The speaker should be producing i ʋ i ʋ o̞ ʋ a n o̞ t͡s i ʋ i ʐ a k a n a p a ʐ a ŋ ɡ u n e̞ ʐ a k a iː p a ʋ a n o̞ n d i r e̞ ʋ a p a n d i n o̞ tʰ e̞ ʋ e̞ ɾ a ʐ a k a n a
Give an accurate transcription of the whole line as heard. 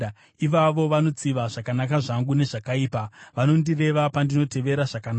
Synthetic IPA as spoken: i ʋ a ʋ o̞ ʋ a n o̞ t͡s i ʋ a ʐ a k a n a k a ʐ a ŋ ɡ u n e̞ ʐ a k a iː p a ʋ a n o̞ n d i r e̞ ʋ a p a n d i n o̞ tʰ e̞ ʋ e̞ ɾ a ʐ a k a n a